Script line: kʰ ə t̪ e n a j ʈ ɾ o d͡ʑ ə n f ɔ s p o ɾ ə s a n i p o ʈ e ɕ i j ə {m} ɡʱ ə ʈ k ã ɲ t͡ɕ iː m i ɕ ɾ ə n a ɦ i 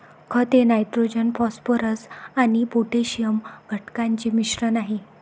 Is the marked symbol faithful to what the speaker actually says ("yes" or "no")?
yes